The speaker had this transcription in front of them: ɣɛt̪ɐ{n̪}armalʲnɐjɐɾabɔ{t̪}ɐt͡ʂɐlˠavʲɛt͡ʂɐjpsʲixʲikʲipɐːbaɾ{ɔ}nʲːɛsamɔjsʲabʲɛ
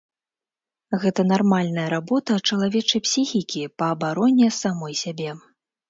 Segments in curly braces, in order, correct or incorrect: correct, correct, correct

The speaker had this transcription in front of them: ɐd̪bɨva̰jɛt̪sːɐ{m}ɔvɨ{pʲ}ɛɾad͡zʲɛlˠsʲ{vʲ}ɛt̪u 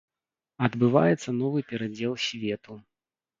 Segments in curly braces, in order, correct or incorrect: incorrect, correct, correct

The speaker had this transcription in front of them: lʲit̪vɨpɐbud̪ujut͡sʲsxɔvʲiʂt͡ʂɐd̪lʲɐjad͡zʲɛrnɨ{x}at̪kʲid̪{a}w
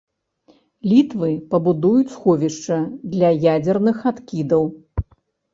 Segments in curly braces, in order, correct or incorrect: correct, incorrect

